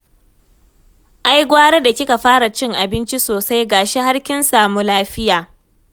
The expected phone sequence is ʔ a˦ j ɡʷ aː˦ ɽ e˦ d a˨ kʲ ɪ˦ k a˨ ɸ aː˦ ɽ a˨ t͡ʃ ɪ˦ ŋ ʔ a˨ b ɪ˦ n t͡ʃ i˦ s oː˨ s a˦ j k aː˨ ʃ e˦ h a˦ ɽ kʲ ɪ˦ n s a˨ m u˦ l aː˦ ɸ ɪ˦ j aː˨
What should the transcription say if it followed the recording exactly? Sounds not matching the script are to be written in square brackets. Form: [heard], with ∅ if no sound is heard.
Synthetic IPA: ʔ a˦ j ɡʷ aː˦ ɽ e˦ d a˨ kʲ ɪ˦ k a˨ ɸ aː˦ ɽ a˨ t͡ʃ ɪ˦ ŋ ʔ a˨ b ɪ˦ n t͡ʃ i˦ s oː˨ s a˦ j [ɡ] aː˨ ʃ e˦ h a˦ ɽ kʲ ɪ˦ n s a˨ m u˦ l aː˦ ɸ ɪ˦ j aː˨